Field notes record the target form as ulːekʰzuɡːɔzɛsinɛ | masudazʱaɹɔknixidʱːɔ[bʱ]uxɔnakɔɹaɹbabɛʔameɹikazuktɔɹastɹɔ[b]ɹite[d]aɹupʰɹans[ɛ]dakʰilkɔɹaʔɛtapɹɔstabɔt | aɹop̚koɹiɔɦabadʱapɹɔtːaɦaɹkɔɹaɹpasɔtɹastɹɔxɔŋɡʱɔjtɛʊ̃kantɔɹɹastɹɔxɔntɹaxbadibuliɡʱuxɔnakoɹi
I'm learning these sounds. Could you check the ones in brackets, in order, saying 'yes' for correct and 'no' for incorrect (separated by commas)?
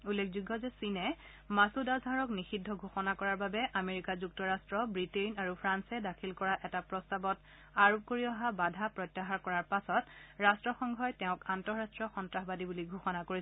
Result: no, yes, no, yes